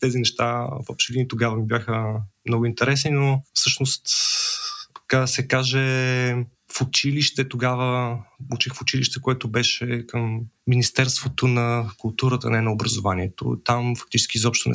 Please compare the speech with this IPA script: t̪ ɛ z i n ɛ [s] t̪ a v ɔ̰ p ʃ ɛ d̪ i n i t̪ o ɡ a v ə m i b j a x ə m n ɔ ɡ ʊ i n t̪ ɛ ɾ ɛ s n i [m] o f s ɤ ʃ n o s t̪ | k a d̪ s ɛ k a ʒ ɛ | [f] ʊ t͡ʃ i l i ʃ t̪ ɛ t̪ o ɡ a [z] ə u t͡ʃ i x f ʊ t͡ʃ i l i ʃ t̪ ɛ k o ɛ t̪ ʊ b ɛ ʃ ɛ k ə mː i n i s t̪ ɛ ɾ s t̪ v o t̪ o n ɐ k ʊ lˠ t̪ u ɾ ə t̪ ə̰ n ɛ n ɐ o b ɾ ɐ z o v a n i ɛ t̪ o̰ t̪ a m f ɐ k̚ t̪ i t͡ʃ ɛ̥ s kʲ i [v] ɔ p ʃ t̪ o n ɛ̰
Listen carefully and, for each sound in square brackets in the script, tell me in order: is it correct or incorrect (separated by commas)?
incorrect, incorrect, correct, incorrect, incorrect